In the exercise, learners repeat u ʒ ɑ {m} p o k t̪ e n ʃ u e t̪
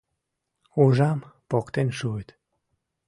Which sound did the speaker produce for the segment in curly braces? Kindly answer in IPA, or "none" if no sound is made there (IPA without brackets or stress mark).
m